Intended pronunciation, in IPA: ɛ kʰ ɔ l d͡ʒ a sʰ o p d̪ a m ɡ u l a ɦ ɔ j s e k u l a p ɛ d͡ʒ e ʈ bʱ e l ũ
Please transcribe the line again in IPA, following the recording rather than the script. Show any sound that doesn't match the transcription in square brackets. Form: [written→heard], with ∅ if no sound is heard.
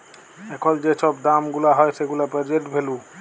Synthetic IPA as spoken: ɛ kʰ ɔ l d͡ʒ [a→e] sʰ [o→ɔ] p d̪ a m ɡ u l a ɦ ɔ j s e [k→ɡ] u l a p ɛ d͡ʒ e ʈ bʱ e l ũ